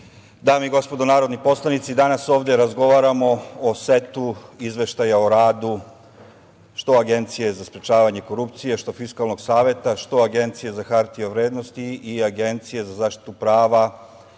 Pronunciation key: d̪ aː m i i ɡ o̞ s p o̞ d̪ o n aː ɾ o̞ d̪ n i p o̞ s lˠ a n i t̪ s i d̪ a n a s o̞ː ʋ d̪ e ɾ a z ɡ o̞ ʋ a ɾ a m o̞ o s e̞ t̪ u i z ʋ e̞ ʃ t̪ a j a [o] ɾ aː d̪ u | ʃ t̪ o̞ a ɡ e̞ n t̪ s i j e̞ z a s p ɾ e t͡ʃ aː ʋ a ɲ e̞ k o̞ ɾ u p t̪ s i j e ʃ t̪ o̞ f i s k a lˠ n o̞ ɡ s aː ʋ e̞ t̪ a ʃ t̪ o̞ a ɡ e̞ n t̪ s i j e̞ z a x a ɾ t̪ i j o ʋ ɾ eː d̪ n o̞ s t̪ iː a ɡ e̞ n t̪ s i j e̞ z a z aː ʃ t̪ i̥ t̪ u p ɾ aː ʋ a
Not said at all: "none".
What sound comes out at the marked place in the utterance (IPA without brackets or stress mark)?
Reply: o